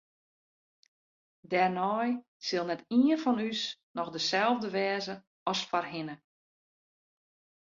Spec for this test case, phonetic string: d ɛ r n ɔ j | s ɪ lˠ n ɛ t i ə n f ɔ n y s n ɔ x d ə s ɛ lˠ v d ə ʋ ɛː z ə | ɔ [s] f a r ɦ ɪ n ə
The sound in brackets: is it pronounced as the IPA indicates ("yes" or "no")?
yes